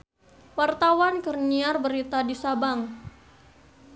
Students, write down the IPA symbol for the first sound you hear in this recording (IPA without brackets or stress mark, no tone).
w